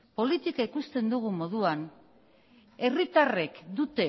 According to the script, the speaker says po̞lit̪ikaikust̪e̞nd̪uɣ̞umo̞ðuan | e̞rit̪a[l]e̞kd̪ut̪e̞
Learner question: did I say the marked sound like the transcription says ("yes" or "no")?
no